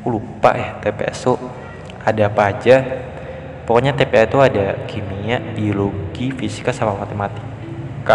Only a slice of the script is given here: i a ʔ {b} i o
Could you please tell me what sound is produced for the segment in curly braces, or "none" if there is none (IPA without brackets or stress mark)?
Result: b